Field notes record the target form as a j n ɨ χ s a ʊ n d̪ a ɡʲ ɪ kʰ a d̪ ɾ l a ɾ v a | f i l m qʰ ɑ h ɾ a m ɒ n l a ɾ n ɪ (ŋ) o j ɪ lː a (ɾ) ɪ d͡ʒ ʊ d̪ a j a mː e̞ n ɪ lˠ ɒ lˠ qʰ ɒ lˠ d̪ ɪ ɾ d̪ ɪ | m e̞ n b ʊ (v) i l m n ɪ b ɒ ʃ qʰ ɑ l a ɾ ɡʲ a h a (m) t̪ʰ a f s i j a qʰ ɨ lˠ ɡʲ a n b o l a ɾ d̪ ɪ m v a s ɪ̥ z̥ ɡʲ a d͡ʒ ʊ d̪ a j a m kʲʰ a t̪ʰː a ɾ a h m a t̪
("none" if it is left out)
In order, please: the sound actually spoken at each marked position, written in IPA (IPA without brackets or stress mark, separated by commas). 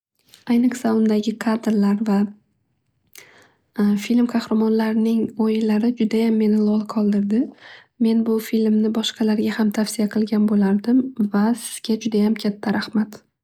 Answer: ŋ, ɾ, f, m